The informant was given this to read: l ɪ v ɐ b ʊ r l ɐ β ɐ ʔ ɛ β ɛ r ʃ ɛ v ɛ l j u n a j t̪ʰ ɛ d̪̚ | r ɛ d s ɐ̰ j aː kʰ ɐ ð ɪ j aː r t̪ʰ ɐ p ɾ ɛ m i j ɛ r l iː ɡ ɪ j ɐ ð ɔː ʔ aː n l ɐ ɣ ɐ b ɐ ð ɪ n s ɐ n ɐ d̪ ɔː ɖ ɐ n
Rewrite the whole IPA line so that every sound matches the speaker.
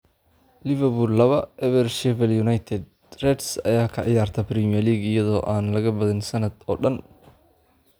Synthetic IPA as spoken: l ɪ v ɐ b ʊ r l ɐ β ɐ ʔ ɛ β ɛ r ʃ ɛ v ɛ l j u n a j t̪ʰ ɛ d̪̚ | r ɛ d s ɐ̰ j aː kʰ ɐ ʕ ɪ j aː r t̪ʰ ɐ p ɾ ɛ m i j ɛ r l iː ɡ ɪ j ɐ ð ɔː ʔ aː n l ɐ ɣ ɐ b ɐ ð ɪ n s ɐ n ɐ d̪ ɔː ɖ ɐ n